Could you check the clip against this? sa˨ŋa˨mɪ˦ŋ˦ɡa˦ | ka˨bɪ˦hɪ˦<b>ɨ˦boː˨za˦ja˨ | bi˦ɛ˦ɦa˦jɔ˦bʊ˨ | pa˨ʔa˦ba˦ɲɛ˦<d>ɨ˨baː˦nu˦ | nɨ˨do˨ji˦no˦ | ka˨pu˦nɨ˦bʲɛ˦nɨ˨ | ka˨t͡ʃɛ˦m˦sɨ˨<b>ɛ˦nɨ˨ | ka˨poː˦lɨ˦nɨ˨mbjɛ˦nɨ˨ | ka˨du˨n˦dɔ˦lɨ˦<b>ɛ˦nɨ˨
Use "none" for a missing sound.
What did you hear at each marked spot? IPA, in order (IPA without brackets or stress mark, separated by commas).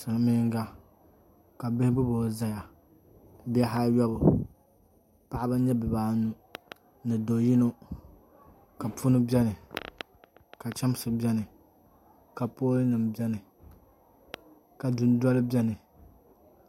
b, b, b, b